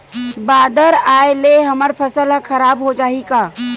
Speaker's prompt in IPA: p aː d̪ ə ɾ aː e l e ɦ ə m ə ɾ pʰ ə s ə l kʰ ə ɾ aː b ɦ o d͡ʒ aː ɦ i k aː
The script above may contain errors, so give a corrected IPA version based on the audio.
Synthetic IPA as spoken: b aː d̪ ə ɾ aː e l e ɦ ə m ə ɾ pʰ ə s ə l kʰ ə ɾ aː b ɦ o d͡ʒ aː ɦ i k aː